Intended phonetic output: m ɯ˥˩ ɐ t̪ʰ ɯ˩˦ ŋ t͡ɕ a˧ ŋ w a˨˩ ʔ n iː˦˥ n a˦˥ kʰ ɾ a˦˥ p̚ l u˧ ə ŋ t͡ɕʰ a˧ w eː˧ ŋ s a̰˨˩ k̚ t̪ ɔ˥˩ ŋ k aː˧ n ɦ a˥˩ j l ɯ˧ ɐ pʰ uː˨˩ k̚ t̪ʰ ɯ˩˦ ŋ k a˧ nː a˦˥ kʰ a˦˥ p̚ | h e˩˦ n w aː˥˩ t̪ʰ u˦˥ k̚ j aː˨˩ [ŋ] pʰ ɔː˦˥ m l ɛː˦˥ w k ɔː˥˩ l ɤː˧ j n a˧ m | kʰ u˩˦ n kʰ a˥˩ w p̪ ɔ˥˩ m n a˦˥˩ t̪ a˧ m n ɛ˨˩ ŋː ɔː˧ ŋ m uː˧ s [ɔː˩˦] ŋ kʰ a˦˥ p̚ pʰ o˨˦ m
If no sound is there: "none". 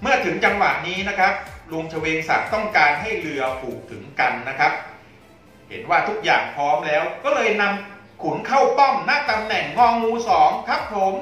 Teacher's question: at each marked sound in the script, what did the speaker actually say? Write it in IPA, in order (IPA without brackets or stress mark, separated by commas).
ŋ, ɔː˩˦